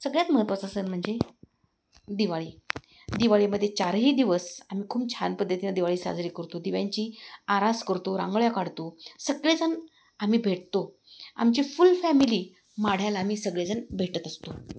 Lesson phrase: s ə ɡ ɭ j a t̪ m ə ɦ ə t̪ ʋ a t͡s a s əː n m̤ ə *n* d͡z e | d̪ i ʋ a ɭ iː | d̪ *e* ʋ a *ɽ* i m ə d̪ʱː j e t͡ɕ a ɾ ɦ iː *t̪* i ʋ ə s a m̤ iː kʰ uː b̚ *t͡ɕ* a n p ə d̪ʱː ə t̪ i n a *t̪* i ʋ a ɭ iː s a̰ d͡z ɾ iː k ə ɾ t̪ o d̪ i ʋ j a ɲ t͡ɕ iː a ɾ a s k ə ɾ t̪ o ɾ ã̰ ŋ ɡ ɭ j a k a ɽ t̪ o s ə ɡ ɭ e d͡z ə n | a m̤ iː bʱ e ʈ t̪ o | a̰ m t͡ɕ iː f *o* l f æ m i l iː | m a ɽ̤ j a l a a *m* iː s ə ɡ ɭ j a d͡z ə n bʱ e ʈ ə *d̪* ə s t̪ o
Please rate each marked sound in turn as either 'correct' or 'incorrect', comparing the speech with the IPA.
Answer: incorrect, incorrect, incorrect, incorrect, incorrect, incorrect, incorrect, correct, incorrect

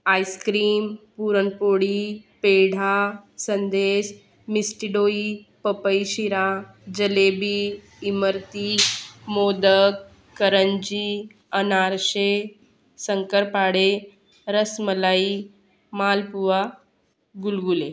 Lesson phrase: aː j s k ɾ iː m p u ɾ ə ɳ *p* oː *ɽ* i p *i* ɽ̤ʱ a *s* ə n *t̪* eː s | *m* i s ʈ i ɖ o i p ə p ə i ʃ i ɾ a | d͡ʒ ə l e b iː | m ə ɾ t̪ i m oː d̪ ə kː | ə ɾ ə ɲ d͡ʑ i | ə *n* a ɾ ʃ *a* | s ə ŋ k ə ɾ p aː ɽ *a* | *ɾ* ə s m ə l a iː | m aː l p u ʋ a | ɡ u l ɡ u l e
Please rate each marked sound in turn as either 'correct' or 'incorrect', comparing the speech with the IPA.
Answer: correct, correct, incorrect, correct, incorrect, correct, correct, incorrect, incorrect, correct

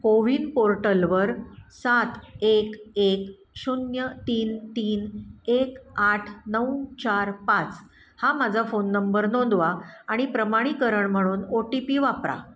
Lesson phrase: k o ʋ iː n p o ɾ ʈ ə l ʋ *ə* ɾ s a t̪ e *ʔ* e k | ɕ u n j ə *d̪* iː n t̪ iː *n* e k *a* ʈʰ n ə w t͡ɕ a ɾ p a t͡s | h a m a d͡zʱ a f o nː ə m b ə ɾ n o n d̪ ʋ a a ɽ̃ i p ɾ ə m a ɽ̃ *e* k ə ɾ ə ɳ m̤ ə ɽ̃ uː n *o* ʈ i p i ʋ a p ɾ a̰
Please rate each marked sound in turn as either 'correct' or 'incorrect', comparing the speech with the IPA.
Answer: correct, incorrect, incorrect, correct, correct, incorrect, correct

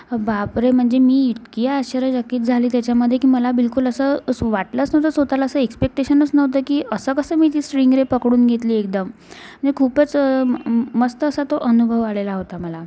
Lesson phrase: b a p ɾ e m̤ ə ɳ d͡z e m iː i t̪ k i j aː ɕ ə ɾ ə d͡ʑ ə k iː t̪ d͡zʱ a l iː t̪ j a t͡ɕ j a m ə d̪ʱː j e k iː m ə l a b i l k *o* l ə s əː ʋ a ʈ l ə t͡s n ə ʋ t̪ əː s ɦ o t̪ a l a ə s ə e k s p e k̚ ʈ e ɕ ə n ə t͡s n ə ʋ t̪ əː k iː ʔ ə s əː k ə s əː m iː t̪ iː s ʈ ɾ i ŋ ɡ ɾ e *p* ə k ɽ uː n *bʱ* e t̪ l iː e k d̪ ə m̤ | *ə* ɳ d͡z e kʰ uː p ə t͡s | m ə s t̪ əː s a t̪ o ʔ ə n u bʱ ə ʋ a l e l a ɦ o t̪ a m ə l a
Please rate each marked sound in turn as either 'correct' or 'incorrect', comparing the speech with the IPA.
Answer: incorrect, correct, incorrect, correct

